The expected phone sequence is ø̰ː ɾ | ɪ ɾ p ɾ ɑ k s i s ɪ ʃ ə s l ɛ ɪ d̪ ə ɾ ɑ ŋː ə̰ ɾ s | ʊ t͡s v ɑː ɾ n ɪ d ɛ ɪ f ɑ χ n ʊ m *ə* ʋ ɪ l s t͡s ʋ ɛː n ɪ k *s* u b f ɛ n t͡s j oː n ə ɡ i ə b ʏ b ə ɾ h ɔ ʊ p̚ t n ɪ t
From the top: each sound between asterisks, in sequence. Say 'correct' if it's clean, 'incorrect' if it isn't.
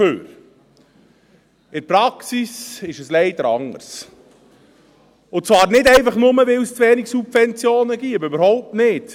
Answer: correct, correct

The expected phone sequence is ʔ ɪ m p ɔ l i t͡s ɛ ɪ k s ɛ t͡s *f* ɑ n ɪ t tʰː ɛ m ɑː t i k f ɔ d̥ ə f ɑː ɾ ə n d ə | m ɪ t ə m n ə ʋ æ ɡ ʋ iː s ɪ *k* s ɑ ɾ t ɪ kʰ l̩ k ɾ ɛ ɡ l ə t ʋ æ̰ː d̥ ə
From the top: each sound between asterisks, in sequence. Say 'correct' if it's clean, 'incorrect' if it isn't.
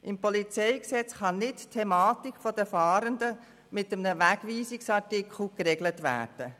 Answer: incorrect: χ, correct

